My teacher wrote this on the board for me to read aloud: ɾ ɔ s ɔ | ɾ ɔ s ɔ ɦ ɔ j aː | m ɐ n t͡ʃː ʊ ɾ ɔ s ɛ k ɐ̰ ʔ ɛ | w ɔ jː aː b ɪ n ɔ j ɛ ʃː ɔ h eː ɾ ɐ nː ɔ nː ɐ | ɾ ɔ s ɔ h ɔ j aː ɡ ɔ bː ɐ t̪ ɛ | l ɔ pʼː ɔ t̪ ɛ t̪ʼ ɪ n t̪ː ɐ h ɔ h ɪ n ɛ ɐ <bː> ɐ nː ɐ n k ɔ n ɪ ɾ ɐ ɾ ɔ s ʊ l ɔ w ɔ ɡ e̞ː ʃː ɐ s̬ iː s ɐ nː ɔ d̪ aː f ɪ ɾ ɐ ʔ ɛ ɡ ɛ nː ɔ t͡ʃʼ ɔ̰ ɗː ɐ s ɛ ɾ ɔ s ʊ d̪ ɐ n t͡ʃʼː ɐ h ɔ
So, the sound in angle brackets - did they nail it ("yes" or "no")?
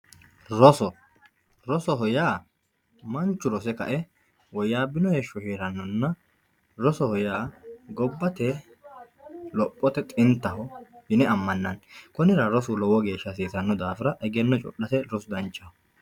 no